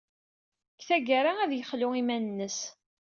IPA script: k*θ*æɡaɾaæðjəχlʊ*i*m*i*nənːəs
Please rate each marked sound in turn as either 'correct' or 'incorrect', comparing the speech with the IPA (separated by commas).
correct, correct, incorrect